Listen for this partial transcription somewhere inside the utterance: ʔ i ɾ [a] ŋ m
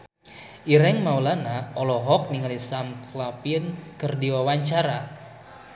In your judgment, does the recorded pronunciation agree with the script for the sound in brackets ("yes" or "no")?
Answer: no